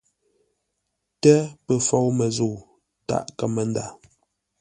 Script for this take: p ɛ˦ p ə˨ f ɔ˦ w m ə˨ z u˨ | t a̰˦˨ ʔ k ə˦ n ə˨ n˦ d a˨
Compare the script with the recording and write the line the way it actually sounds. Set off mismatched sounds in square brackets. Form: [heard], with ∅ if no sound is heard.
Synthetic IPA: [t] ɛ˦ p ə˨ f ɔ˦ w m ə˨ z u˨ | t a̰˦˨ ʔ k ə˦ [m] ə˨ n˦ d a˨